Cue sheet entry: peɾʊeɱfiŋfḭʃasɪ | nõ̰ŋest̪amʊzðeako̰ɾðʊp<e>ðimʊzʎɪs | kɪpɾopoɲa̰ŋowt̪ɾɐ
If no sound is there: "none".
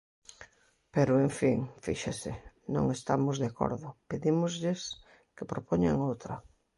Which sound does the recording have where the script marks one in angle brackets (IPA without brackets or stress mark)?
e